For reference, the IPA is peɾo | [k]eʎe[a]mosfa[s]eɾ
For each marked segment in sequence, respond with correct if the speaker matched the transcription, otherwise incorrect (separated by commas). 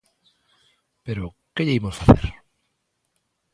correct, incorrect, incorrect